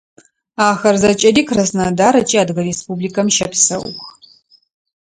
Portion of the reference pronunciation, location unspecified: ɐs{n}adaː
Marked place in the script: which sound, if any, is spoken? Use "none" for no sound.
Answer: n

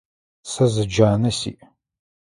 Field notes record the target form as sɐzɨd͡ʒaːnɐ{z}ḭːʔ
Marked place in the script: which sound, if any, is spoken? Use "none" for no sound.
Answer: s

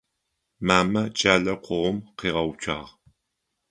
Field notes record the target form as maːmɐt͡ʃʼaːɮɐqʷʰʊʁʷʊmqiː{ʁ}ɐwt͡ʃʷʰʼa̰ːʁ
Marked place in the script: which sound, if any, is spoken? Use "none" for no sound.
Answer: ʁ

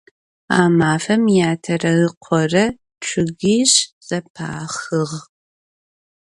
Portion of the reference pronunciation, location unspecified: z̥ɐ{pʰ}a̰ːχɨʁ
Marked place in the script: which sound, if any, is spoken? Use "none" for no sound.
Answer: pʰ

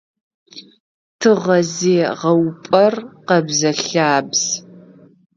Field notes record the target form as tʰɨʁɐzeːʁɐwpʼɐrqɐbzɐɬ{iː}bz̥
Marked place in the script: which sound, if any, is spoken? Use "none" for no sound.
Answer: aː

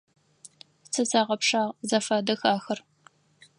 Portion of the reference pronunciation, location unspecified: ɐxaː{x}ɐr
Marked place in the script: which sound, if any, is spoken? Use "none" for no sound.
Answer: x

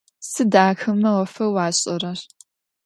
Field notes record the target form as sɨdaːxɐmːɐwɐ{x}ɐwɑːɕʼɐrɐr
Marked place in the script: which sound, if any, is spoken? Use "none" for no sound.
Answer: f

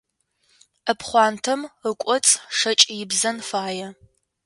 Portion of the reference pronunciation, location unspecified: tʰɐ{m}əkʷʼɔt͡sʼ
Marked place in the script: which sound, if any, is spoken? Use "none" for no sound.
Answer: m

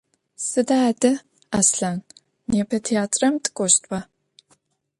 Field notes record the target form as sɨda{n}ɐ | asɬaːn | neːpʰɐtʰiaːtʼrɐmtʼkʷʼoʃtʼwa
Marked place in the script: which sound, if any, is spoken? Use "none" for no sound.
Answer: d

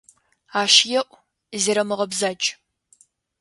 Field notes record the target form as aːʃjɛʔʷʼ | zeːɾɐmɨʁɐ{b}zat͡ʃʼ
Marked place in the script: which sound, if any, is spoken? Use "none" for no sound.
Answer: b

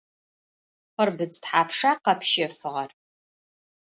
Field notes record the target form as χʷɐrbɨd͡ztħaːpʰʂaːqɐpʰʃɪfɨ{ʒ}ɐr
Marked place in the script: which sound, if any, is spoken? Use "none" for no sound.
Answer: ʁ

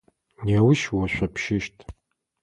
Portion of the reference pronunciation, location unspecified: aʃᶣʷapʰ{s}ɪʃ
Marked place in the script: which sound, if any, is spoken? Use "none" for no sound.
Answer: ʃ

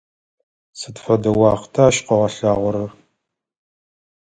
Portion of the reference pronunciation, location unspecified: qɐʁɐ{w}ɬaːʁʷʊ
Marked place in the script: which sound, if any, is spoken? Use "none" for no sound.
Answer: none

